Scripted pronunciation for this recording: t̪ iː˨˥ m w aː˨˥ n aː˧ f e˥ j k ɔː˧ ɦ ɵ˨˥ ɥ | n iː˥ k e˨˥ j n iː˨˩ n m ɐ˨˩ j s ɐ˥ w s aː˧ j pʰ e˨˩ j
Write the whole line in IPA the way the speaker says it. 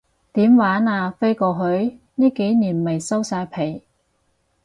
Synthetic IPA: t̪ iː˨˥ m w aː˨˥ n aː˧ f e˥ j k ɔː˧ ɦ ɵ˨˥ ɥ | n iː˥ k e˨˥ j n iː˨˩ n m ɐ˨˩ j s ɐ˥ w s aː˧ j pʰ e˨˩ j